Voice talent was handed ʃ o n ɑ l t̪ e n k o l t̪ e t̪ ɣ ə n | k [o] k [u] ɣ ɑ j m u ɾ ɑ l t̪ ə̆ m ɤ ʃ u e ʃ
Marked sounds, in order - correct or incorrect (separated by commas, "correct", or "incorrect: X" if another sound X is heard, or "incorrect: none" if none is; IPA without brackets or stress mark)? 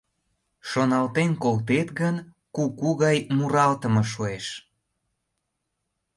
incorrect: u, correct